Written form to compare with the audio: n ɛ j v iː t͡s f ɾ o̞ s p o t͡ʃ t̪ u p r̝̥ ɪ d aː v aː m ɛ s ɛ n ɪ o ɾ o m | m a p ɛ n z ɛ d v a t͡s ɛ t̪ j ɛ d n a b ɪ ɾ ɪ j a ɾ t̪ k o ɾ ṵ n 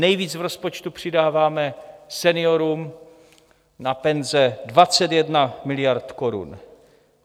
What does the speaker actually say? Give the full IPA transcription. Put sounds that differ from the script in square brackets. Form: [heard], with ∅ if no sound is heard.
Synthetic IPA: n ɛ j v iː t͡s [v] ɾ o̞ s p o t͡ʃ t̪ u p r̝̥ ɪ d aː v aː m ɛ s ɛ n ɪ o ɾ [u] m | [n] a p ɛ n z ɛ d v a t͡s ɛ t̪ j ɛ d n a [m] ɪ [l] ɪ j a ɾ t̪ k o ɾ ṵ n